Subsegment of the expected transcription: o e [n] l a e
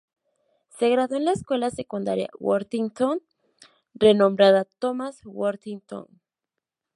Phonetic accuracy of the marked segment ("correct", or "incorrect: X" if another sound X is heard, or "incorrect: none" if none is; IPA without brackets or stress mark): correct